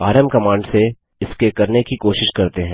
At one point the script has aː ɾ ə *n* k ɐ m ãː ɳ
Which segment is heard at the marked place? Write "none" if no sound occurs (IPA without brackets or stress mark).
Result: m